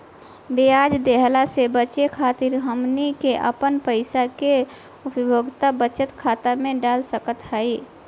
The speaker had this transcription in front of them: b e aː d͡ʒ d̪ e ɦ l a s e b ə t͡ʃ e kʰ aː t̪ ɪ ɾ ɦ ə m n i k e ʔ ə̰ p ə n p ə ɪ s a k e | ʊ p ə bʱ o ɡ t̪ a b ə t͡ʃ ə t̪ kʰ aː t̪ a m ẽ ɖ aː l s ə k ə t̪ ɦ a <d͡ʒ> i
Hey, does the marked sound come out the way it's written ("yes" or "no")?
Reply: no